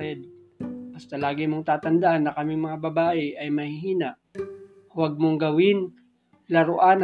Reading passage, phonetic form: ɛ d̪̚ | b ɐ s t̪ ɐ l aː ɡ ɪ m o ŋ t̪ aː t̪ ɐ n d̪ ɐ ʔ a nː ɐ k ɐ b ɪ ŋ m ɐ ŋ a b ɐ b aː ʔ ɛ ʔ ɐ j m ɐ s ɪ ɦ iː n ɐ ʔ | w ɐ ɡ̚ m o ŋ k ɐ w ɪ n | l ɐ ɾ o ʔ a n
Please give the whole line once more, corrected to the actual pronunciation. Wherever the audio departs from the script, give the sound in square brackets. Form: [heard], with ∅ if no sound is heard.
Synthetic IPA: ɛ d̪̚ | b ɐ s t̪ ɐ l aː ɡ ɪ m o ŋ t̪ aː t̪ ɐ n d̪ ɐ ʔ a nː ɐ k ɐ [m] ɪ ŋ m ɐ ŋ a b ɐ b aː ʔ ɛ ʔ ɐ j m ɐ [h] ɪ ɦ iː n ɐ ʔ | w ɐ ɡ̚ m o ŋ [ɡ] ɐ w ɪ n | l ɐ ɾ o ʔ a n